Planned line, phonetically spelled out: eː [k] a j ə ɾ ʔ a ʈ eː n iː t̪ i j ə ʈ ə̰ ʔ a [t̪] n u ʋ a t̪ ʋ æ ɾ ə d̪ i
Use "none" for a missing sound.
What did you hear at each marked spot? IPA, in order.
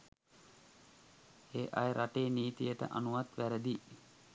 ʔ, none

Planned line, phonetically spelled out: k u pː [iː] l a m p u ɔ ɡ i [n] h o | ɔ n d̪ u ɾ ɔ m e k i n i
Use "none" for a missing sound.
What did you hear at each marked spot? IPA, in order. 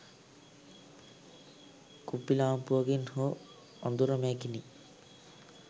i, n

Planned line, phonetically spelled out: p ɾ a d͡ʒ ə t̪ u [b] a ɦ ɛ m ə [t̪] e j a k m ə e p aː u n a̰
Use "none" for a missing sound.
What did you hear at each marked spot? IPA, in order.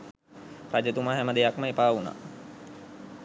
m, d̪

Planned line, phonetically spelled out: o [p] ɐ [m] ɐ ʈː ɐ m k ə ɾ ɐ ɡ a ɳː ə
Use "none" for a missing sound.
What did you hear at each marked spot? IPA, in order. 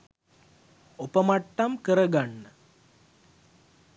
p, m

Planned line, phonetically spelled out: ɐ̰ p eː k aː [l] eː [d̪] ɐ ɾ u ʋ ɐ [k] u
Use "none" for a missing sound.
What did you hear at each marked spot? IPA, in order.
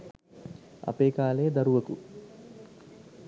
l, d̪, k

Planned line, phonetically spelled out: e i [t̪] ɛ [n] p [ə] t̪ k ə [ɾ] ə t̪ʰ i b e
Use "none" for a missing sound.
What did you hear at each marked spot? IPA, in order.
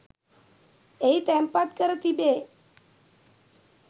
t̪, m, a, ɾ

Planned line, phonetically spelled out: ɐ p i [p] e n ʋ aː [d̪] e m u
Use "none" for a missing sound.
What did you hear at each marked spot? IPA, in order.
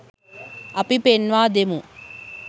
p, d̪

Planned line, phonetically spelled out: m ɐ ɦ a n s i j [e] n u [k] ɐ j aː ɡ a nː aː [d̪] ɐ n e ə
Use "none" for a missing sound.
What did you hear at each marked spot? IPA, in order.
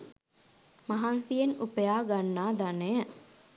e, p, d̪

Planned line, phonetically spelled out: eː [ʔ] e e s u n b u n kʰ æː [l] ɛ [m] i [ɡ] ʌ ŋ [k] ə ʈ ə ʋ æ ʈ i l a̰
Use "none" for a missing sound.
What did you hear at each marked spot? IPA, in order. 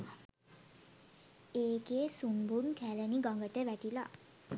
k, l, n, ɡ, ɡ

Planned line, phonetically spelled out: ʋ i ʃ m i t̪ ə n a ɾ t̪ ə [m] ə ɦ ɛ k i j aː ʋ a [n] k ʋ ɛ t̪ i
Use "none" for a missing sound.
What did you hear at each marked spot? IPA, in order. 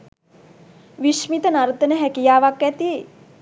n, none

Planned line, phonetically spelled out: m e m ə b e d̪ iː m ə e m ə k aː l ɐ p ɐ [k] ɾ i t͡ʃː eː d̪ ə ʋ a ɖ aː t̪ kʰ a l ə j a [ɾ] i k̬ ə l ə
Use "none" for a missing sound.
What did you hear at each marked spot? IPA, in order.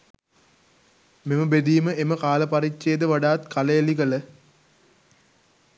none, l

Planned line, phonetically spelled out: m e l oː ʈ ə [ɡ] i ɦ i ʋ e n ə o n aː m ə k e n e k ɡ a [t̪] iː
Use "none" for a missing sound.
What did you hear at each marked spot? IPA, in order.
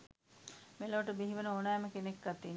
b, t̪

